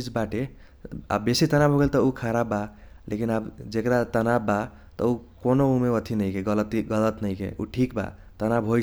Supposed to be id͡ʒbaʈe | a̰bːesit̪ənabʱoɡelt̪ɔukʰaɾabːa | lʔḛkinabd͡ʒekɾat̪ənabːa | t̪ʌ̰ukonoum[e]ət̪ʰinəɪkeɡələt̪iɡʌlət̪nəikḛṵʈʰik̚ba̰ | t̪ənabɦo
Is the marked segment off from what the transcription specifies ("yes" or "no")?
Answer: no